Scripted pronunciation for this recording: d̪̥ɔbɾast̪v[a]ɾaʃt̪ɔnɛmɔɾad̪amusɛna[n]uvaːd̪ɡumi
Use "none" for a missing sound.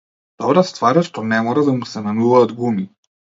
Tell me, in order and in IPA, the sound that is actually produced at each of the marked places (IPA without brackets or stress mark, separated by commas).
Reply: a, n